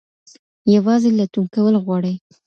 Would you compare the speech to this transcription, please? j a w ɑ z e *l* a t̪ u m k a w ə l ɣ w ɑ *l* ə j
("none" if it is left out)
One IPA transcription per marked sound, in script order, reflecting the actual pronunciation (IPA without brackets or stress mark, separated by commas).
l, ɽ